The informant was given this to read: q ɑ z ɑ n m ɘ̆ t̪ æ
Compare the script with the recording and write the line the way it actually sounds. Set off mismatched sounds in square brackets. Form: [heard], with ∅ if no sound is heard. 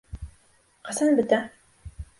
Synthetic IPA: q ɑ [s] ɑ n [b] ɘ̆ t̪ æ